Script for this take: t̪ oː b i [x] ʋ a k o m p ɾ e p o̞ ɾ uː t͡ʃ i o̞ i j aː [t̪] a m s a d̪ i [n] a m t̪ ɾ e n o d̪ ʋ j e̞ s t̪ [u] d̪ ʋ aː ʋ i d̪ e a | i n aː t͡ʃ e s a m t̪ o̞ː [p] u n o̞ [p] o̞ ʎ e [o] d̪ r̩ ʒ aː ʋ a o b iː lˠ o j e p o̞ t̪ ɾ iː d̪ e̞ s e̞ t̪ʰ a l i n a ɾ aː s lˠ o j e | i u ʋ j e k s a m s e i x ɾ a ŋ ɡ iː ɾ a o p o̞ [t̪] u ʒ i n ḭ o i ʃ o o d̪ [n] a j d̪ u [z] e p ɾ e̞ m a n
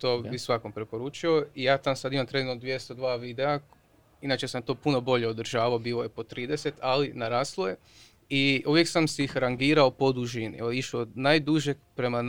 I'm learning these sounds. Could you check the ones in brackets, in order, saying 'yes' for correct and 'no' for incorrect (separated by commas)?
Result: no, yes, no, no, yes, no, yes, no, yes, no